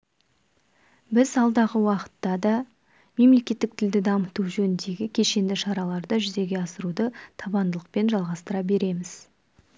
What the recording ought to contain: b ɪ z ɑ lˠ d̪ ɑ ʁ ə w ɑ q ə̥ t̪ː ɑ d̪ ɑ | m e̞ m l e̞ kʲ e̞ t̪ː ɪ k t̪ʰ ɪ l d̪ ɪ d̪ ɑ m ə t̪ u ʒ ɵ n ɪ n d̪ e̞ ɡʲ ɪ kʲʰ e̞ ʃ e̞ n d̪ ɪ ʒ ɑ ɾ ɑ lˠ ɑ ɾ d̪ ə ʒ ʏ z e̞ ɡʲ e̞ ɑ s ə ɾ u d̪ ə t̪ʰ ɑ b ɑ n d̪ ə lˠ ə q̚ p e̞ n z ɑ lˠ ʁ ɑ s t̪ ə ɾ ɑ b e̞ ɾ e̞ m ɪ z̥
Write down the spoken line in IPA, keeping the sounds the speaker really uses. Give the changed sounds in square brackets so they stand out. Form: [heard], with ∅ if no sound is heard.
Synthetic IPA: b ɪ z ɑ lˠ d̪ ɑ ʁ ə w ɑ q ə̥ t̪ː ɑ d̪ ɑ | m e̞ m l e̞ kʲ e̞ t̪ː ɪ k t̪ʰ ɪ l d̪ ɪ d̪ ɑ m ə t̪ u ʒ ɵ n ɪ n d̪ e̞ ɡʲ ɪ kʲʰ e̞ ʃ e̞ n d̪ ɪ [ʃ] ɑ ɾ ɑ lˠ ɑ ɾ d̪ ə ʒ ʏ z e̞ ɡʲ e̞ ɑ s ə ɾ u d̪ ə t̪ʰ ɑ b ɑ n d̪ ə lˠ ə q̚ p e̞ n [ʒ] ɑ lˠ ʁ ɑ s t̪ ə ɾ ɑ b e̞ ɾ e̞ m ɪ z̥